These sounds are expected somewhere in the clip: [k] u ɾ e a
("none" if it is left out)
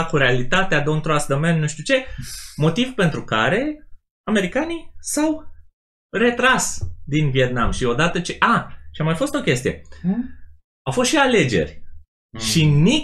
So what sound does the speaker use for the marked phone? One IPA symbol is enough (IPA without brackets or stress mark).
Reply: k